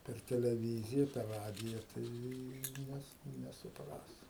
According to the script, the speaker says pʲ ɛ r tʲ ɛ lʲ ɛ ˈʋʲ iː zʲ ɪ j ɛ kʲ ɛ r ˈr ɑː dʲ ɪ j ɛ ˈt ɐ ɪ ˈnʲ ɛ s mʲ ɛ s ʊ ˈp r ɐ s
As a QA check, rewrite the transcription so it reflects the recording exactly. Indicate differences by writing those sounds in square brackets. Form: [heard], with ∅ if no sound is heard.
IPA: pʲ ɛ r tʲ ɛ lʲ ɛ ˈʋʲ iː zʲ ɪ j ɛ [pʲ] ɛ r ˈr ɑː dʲ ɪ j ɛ ˈt ɐ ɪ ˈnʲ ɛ s [nʲ] ɛ s ʊ ˈp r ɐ s